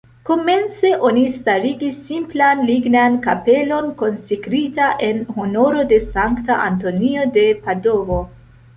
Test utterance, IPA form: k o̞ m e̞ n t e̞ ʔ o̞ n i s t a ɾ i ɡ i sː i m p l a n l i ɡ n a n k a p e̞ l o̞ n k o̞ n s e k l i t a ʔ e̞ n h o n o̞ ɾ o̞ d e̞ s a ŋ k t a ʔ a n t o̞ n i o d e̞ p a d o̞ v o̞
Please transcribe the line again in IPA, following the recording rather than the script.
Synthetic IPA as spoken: k o̞ m e̞ n t͡s e̞ ʔ o̞ n i s t a ɾ i ɡ i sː i m p l a n l i ɡ n a n k a p e̞ l o̞ n k o̞ n s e k ɾ i t a ʔ e̞ n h o n o̞ ɾ o̞ d e̞ s a ŋ k t a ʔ a n t o̞ n i o d e̞ p a d o̞ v o̞